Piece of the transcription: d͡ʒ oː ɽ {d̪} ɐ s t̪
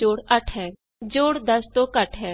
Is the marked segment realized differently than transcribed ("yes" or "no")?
no